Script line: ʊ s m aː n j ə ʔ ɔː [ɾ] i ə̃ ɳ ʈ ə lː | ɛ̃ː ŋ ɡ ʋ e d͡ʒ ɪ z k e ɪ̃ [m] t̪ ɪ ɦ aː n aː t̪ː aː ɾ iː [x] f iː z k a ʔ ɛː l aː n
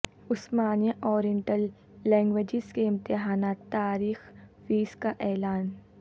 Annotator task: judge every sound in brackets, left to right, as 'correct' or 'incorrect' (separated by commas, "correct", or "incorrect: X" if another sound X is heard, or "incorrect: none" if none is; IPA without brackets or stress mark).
correct, correct, correct